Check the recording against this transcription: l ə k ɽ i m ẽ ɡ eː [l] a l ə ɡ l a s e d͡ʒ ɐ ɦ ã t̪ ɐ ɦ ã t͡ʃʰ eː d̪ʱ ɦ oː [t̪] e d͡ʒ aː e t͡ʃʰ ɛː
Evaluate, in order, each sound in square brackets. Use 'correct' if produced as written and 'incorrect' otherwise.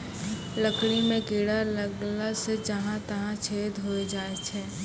incorrect, incorrect

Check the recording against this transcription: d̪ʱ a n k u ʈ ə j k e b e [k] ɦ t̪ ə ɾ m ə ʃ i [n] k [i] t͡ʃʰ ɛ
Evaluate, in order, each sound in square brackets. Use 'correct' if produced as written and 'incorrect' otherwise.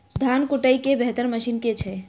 incorrect, correct, incorrect

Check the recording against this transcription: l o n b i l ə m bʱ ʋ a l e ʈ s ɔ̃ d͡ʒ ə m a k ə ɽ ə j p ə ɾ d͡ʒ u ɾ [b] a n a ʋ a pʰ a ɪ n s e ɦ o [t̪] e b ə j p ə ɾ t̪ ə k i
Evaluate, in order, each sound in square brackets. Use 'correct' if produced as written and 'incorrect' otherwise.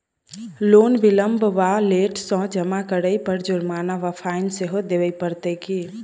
incorrect, incorrect

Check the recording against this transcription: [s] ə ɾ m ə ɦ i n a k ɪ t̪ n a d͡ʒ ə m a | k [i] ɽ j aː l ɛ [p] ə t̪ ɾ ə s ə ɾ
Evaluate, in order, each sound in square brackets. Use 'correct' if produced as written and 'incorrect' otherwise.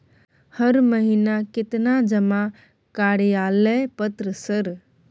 incorrect, incorrect, correct

